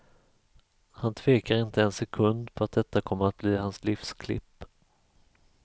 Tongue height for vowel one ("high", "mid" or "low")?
low